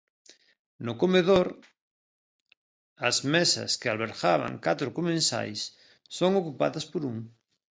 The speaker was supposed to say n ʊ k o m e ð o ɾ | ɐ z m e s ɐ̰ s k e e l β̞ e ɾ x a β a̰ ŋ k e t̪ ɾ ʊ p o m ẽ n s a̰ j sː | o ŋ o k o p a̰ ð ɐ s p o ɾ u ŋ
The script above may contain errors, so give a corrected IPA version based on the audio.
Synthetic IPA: n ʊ k o m e ð o ɾ | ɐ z m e s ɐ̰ s k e a l β̞ e ɾ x a β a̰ ŋ k a t̪ ɾ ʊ k o m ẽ n s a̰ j sː | o ŋ o k u p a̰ ð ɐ s p o ɾ u ŋ